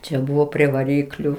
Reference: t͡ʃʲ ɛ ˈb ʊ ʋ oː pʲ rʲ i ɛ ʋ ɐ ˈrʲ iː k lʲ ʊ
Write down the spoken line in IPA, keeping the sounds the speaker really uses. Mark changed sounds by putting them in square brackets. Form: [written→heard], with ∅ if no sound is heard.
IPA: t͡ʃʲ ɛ ˈb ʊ ʋ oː pʲ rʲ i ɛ ʋ ɐ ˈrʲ iː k lʲ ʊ